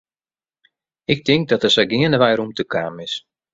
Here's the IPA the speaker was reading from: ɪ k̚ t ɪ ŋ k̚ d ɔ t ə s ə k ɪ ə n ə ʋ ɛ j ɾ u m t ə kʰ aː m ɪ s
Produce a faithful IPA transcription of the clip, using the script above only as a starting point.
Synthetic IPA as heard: ɪ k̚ t ɪ ŋ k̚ d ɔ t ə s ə ɡ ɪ ə n ə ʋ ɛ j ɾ u m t ə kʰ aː m ɪ s